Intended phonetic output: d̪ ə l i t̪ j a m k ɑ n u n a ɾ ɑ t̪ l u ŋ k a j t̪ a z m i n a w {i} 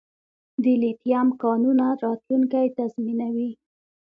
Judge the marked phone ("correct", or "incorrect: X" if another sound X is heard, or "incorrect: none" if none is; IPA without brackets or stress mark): correct